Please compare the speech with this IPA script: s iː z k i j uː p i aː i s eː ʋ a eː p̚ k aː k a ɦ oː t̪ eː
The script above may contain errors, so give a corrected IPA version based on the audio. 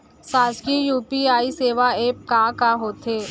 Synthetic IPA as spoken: s aː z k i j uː p i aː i s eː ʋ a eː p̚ k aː k a ɦ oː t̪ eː